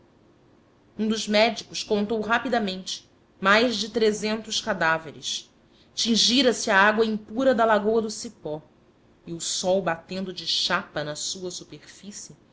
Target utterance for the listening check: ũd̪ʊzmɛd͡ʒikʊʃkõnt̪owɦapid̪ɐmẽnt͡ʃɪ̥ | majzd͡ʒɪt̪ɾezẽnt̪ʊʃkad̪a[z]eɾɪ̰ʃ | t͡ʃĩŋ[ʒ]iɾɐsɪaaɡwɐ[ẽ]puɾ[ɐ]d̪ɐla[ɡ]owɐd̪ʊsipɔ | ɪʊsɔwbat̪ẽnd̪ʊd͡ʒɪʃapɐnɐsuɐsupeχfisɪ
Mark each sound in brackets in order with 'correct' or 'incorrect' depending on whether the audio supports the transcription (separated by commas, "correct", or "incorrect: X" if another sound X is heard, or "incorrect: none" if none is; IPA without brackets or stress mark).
incorrect: v, correct, incorrect: ĩ, correct, correct